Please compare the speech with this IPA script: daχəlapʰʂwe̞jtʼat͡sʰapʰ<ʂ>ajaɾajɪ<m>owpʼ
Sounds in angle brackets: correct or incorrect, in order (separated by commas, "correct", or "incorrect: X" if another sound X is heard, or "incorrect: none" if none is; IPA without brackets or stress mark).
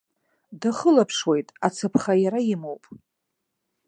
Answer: incorrect: χ, correct